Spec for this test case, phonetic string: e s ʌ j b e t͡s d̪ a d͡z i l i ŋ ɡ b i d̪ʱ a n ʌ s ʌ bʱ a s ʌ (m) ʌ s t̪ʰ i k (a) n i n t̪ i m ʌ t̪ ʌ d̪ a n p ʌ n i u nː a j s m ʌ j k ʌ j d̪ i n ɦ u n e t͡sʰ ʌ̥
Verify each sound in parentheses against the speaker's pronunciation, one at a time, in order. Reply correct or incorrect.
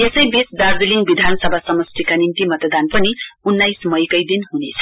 correct, correct

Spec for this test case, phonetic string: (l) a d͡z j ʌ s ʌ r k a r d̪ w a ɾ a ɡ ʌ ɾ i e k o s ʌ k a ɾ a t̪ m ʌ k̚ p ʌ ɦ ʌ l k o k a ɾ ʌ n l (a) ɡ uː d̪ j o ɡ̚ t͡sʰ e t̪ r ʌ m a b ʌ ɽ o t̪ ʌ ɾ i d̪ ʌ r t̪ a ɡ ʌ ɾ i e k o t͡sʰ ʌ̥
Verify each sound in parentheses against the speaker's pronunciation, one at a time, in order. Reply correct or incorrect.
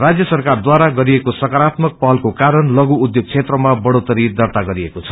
incorrect: r, incorrect: ʌ

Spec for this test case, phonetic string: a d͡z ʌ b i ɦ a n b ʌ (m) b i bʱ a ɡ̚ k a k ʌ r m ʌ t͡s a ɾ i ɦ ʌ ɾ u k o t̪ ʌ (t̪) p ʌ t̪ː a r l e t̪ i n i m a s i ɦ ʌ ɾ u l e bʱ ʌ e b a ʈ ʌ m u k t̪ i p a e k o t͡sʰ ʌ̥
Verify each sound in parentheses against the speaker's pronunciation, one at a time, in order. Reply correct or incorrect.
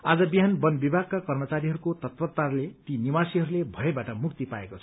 incorrect: n, correct

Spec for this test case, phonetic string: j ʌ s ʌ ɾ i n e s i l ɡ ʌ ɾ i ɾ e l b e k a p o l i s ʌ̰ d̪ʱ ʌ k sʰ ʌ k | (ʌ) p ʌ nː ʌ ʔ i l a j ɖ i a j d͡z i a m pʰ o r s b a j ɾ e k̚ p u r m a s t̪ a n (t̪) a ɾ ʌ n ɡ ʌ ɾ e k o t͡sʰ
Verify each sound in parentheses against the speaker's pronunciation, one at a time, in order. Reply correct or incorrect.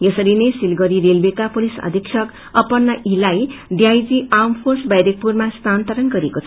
correct, correct

